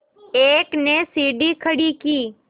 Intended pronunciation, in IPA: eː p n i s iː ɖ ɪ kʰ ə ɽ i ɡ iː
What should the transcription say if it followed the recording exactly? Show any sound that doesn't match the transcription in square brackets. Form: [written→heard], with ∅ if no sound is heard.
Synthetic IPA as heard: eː [p→k] n [i→e] s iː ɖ [ɪ→i] kʰ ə ɽ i [ɡ→k] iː